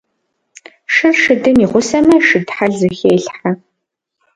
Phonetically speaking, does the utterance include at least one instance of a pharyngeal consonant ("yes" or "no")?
yes